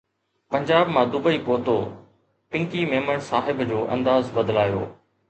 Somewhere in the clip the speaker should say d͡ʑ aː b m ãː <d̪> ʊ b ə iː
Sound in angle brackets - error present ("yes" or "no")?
no